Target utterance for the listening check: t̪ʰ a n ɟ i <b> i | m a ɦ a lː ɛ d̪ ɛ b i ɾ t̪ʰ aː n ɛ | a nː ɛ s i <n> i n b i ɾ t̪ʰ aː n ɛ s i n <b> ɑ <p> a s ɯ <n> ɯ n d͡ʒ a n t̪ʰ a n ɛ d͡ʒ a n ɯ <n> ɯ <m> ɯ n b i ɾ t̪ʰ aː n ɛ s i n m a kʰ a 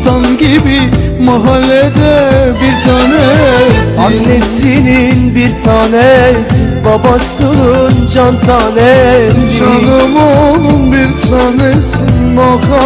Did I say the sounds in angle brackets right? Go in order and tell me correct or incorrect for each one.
correct, correct, correct, incorrect, correct, incorrect, incorrect

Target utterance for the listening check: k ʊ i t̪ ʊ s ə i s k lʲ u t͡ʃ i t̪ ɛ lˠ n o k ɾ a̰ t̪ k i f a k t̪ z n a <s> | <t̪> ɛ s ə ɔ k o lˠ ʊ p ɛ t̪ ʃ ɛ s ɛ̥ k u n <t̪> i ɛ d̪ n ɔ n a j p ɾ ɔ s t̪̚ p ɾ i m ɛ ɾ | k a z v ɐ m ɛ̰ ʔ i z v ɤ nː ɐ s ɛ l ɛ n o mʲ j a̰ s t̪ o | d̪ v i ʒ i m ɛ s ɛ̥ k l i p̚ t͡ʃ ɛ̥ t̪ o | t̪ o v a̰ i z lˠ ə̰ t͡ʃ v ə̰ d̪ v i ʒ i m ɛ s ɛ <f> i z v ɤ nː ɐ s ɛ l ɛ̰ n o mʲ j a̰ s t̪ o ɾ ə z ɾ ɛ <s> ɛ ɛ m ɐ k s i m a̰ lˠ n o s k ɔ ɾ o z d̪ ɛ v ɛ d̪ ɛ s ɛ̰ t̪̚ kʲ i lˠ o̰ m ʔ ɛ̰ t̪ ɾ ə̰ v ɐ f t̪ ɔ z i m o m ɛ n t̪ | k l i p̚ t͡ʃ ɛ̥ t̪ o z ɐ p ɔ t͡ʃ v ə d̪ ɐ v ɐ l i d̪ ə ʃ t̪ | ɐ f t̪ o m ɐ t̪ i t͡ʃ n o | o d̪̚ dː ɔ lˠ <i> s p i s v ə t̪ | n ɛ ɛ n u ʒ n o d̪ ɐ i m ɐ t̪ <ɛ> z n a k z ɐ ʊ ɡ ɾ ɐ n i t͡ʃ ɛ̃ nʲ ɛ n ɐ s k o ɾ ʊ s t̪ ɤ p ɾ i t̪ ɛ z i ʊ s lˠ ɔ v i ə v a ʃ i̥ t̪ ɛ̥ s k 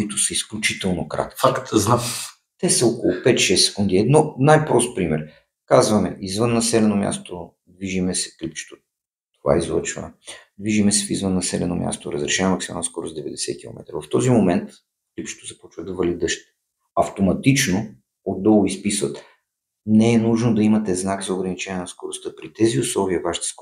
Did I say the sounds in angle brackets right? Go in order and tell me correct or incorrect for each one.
incorrect, correct, incorrect, correct, incorrect, correct, correct

